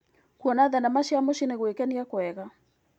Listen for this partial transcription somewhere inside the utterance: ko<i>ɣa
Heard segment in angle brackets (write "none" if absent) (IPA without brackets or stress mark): ɛ